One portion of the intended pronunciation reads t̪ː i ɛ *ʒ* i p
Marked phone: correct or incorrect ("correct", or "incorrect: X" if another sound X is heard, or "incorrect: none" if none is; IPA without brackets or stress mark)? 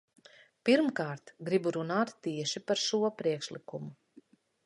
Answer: incorrect: ʃ